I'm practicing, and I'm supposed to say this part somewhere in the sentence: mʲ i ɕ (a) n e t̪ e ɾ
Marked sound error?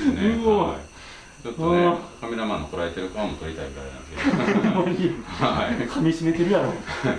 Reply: yes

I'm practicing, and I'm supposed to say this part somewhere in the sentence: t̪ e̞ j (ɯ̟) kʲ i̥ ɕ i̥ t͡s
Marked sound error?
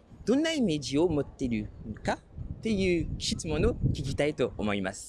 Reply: yes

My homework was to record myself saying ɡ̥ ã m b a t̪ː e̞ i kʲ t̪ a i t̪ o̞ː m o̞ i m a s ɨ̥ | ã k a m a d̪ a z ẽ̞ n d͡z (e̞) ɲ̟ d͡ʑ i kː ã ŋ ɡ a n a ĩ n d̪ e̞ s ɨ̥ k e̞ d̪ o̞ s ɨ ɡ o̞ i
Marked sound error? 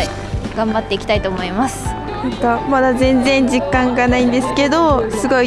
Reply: yes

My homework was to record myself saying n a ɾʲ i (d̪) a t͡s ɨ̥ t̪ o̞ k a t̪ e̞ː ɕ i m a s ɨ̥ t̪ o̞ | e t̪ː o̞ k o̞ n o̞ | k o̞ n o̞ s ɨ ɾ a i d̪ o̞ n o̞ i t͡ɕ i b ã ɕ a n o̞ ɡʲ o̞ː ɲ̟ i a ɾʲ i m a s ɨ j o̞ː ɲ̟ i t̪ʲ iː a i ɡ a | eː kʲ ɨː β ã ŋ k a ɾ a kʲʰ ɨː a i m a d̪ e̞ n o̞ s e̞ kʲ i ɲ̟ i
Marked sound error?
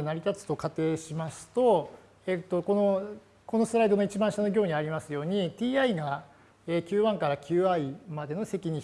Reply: yes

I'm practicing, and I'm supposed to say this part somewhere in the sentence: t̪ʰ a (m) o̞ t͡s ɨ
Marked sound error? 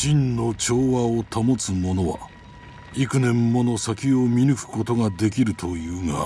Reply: no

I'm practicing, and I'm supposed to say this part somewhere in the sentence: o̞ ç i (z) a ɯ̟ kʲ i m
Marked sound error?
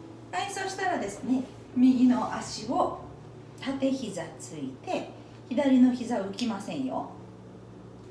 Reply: no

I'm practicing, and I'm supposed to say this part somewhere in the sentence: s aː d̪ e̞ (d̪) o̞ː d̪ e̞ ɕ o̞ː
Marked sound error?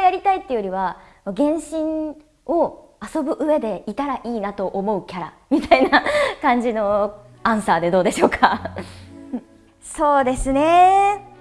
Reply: no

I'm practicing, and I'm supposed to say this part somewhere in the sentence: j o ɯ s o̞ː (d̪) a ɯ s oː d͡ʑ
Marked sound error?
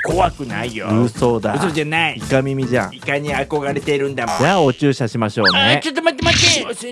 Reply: no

